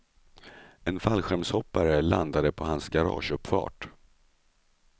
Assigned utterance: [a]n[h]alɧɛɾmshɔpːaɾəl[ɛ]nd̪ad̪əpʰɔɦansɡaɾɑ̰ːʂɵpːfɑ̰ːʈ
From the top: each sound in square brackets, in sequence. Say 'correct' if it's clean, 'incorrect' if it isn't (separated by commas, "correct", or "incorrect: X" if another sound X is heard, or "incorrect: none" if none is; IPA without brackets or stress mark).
incorrect: ɛ, incorrect: f, incorrect: a